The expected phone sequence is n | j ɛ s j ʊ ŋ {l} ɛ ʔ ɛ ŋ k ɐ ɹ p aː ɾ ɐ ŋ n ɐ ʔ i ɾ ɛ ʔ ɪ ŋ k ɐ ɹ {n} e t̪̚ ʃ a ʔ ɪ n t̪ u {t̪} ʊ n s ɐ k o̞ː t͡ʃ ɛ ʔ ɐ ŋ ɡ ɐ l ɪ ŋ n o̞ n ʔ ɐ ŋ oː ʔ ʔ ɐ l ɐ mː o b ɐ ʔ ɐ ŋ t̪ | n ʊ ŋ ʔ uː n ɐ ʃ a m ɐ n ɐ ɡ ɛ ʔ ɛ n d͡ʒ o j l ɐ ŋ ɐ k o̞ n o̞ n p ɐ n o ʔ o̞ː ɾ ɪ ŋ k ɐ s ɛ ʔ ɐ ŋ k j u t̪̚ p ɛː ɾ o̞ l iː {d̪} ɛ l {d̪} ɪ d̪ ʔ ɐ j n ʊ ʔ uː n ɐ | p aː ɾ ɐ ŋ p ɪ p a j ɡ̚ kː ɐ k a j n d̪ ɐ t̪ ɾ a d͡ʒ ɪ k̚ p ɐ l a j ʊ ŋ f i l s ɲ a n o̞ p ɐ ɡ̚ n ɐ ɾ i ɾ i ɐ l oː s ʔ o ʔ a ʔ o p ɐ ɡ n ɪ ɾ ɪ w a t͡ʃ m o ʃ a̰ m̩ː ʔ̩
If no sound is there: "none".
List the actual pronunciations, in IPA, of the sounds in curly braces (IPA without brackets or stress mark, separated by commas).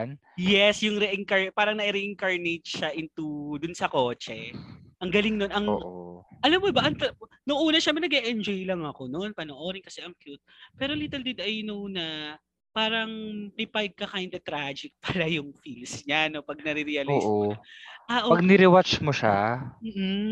ɾ, n, d̪, t̪, d̪